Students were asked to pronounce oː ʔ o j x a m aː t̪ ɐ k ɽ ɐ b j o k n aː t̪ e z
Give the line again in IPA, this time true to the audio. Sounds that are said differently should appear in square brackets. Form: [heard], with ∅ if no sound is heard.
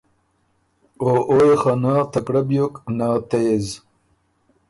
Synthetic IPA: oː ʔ o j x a [n] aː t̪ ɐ k ɽ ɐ b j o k n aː t̪ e z